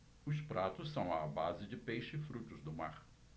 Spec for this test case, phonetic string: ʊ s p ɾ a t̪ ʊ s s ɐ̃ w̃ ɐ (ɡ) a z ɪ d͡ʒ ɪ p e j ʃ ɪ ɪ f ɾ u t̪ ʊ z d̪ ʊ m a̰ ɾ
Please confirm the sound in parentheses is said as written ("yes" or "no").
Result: no